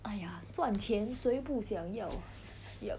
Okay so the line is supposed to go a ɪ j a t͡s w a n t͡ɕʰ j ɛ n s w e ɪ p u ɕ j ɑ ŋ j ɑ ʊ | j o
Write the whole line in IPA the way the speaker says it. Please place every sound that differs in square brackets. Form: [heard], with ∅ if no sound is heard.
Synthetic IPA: a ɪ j a t͡s w a n t͡ɕʰ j ɛ n s w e ɪ p u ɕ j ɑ ŋ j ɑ ʊ | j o